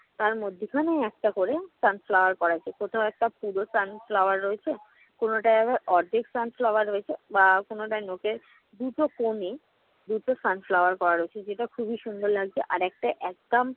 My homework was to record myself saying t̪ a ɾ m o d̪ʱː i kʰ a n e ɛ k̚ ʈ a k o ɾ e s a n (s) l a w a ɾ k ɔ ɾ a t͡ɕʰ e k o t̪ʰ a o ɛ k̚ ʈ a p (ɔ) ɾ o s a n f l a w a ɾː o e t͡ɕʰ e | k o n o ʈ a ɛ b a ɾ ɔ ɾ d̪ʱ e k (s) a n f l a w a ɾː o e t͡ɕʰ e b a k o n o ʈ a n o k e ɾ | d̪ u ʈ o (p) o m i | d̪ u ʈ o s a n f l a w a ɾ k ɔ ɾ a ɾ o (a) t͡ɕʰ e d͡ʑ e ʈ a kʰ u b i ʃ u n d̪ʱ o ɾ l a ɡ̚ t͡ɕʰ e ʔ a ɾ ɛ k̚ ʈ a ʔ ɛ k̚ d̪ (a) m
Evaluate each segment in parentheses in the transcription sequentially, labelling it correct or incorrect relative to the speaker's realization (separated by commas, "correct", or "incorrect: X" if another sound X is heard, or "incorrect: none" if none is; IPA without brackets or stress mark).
incorrect: f, incorrect: u, correct, incorrect: k, incorrect: e, correct